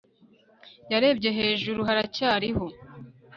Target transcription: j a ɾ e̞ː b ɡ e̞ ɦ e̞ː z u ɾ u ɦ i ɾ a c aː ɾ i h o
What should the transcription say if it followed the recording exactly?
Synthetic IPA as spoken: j a ɾ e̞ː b ɟ e̞ ɦ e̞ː ʒ u ɾ u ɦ a ɾ a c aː ɾ i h o